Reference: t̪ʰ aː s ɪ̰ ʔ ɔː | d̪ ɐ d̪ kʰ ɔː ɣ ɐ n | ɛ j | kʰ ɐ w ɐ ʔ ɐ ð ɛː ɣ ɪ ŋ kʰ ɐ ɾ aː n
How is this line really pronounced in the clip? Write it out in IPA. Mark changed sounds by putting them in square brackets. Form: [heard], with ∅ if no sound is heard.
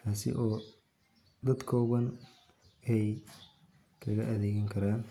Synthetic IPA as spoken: t̪ʰ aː s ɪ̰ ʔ ɔː | d̪ ɐ d̪ kʰ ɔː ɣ ɐ n | ɛ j | kʰ ɐ [ɣ] ɐ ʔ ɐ ð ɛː ɣ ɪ ŋ kʰ ɐ ɾ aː n